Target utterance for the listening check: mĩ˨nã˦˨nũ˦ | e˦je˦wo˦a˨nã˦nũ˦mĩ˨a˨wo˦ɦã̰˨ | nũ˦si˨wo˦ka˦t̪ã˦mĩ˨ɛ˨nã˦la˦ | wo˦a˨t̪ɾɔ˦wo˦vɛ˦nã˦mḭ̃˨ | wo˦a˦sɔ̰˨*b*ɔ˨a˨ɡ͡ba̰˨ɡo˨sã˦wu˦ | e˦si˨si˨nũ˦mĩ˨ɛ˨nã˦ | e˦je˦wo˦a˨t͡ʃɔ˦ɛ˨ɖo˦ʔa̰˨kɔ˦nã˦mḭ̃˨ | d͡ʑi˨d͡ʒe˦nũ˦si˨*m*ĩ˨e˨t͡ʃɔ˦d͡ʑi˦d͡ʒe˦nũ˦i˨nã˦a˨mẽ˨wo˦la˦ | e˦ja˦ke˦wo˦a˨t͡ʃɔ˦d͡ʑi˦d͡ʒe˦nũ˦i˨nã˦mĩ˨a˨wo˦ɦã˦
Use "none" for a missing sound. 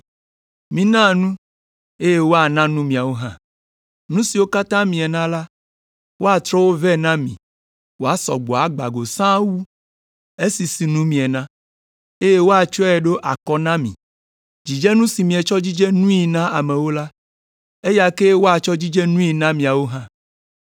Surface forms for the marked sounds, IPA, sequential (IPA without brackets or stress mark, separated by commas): ɡ͡b, m